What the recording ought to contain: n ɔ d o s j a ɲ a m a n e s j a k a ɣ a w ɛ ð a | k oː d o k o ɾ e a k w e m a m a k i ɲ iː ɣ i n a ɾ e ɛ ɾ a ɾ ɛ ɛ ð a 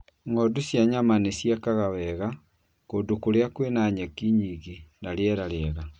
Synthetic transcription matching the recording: ŋ ɔ d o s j a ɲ a m a n e s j a k a ɣ a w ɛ ɣ a | k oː d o k o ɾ e a k w e n a ɲ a k i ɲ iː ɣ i n a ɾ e ɛ ɾ a ɾ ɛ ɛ ɣ a